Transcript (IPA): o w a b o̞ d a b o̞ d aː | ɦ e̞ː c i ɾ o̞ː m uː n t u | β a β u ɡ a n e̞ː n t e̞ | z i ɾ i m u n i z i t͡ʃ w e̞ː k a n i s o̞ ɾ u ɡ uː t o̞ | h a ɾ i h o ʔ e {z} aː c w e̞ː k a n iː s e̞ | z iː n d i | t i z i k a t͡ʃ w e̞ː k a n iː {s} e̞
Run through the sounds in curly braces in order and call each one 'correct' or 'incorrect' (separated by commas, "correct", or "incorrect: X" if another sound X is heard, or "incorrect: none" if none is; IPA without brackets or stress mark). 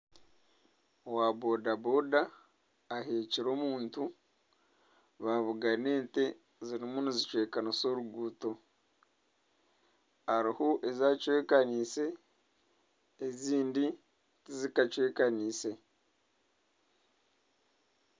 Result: correct, correct